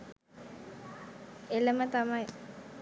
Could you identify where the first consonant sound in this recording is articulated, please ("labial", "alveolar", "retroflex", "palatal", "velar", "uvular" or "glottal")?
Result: alveolar